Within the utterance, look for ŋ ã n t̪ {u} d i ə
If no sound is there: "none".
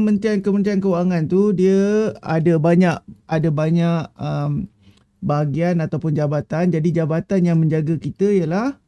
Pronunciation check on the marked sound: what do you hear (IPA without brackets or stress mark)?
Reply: u